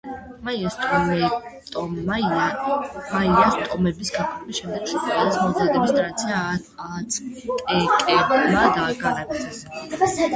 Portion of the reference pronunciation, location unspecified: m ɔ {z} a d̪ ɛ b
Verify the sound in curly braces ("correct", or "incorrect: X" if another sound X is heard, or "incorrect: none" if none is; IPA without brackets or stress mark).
correct